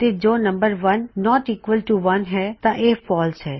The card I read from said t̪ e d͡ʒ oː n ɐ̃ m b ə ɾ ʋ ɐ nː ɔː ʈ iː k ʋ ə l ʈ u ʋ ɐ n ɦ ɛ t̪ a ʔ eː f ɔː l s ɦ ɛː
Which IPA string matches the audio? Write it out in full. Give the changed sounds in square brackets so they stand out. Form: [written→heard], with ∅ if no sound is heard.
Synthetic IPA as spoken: t̪ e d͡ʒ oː n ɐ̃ m b ə ɾ ʋ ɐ nː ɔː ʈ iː k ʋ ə l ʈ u ʋ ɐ n ɦ ɛ t̪ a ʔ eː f ɔː l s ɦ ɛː